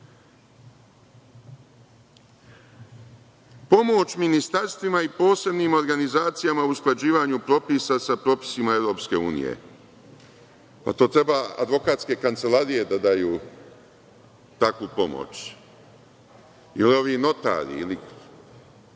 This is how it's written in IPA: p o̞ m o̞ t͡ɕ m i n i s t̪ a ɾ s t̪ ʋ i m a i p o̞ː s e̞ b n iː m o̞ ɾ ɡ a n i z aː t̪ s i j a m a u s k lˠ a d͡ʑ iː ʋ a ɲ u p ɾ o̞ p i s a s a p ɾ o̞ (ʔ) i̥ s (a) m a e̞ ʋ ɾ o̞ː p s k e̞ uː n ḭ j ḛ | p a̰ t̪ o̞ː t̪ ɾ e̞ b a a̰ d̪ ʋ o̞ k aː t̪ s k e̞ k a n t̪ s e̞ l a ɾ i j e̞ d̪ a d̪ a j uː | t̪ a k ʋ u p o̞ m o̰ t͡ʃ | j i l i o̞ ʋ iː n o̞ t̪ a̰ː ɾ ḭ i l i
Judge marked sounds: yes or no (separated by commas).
no, no